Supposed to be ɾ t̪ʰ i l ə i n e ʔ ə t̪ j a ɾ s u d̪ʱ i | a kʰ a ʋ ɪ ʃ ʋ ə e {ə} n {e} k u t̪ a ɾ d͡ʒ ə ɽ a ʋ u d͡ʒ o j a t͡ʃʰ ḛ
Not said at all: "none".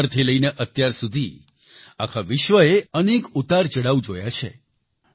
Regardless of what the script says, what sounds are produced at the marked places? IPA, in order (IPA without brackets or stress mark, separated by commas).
ə, e